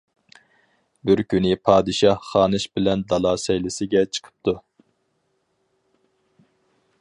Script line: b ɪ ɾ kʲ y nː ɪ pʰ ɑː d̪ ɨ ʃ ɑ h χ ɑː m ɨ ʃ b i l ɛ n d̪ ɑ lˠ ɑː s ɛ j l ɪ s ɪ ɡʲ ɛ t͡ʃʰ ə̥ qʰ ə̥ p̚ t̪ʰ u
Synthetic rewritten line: b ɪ ɾ kʲ y n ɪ pʰ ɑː d̪ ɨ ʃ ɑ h χ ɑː n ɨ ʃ b ɪ l ɛ n d̪ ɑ lˠ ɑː s ɛ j l ɪ s ɪ ɡʲ ɛ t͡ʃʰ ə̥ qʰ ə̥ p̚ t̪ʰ u